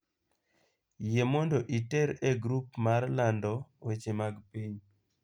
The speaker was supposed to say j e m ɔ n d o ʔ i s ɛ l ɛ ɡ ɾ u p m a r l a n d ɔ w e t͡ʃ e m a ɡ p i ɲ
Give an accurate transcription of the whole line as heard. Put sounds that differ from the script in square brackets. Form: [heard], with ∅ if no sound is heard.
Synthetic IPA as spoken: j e m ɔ n d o ʔ i [t] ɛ [ɾ] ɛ ɡ ɾ u p m a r l a n d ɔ w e t͡ʃ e m a ɡ p i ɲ